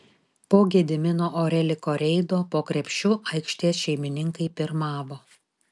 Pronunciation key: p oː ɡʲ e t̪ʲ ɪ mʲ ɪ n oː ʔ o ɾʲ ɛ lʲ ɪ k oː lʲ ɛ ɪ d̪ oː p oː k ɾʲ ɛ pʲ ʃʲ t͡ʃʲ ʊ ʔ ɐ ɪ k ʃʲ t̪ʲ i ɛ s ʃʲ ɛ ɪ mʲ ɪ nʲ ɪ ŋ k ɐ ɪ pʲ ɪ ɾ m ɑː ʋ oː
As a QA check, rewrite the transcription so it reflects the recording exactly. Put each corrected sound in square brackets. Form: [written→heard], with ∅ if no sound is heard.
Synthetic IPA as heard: p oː ɡʲ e [t̪ʲ→d̪ʲ] ɪ mʲ ɪ n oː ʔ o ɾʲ ɛ lʲ ɪ k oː [lʲ→ɾʲ] ɛ ɪ d̪ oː p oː k ɾʲ ɛ pʲ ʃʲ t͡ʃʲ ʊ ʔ ɐ ɪ k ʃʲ t̪ʲ i ɛ s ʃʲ ɛ ɪ mʲ ɪ nʲ ɪ ŋ k ɐ ɪ pʲ ɪ ɾ m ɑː ʋ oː